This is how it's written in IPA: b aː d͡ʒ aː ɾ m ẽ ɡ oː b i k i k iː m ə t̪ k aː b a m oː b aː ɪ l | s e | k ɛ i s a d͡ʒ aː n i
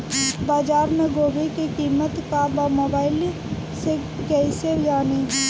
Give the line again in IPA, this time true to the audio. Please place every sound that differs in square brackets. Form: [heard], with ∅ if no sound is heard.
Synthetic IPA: b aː d͡ʒ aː ɾ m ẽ ɡ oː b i k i k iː m ə t̪ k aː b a m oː b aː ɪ l | s e | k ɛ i s [e] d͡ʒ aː n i

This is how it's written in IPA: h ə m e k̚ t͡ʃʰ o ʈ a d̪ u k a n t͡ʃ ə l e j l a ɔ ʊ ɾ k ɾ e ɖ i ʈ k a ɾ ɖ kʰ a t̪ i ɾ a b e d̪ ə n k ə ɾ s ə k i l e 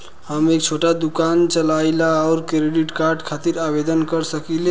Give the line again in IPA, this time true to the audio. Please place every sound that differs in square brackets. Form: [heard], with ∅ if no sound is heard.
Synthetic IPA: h ə m e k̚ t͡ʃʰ o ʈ a d̪ u k a n t͡ʃ ə l [a] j l a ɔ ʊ ɾ k ɾ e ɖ i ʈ k a ɾ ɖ kʰ a t̪ i ɾ a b e d̪ ə n k ə ɾ s ə k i l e

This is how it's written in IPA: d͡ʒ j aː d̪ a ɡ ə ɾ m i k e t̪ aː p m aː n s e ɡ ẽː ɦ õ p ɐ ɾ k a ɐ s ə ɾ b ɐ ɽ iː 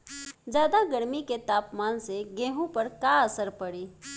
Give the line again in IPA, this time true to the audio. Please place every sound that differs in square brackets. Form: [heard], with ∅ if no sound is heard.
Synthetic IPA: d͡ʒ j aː d̪ a ɡ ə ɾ m i k e t̪ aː p m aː n s e ɡ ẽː ɦ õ p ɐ ɾ k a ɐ s ə ɾ [p] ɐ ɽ iː

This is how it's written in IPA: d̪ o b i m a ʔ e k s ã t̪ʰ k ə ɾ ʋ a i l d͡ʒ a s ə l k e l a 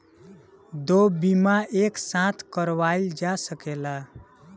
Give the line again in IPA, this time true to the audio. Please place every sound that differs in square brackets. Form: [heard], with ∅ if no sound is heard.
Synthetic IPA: d̪ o b i m a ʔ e k s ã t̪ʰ k ə ɾ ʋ a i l d͡ʒ a s ə [∅] k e l a

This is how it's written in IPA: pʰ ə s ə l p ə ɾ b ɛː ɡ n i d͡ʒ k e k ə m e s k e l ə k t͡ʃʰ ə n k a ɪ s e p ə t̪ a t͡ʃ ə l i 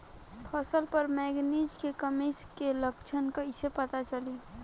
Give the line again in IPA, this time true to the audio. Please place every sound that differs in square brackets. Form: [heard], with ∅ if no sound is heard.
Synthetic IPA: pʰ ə s ə l p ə ɾ [m] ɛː ɡ n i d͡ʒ k e k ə m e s k e l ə k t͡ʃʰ ə n k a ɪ s e p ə t̪ a t͡ʃ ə l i

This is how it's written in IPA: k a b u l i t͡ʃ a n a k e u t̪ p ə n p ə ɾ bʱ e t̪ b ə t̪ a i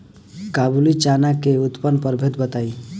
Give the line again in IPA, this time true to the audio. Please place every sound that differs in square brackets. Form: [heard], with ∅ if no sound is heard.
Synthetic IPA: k a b u l i t͡ʃ a n a k e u t̪ p ə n p ə ɾ bʱ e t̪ b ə t̪ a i

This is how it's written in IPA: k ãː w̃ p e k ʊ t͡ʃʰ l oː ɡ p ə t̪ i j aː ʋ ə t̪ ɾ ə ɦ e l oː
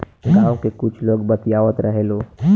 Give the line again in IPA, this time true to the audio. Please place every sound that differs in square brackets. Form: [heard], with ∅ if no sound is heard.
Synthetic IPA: [ɡ] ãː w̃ [k] e k ʊ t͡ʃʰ l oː ɡ [b] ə t̪ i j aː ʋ ə t̪ ɾ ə ɦ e l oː

